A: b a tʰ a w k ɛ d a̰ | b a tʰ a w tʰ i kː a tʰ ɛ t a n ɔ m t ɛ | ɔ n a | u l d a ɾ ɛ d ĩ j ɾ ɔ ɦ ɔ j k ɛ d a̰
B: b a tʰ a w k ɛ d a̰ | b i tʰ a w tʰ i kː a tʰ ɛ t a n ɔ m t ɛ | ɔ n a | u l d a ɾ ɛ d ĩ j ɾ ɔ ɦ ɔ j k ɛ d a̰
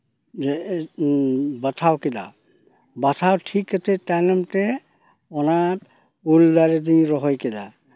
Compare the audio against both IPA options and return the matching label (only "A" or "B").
A